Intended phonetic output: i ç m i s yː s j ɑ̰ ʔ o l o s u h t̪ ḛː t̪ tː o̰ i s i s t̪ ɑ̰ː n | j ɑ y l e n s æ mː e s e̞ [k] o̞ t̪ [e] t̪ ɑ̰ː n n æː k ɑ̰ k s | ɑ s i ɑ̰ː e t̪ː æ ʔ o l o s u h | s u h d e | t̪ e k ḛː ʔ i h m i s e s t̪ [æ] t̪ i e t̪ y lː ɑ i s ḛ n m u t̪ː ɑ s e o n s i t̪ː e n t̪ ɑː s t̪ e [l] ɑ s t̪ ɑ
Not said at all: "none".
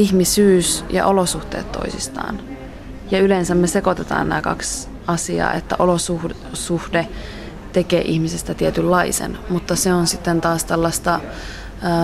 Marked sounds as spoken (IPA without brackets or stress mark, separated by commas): k, e, æ, lː